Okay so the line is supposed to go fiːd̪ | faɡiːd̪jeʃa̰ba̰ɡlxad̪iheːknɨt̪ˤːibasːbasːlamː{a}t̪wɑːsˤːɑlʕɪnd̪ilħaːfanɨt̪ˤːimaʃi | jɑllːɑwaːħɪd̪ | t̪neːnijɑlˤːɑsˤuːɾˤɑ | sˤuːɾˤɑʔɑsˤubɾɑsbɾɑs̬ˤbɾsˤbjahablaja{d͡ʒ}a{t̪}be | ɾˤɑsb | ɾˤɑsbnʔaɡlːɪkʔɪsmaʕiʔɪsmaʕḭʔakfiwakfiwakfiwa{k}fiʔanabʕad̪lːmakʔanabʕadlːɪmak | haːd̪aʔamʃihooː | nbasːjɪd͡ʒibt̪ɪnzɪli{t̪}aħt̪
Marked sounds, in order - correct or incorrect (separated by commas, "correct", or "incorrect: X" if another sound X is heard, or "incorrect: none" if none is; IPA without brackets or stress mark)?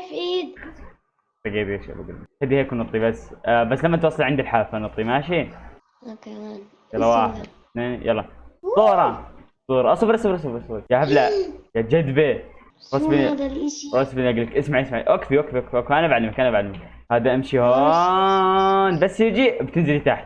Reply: correct, correct, incorrect: d̪, correct, correct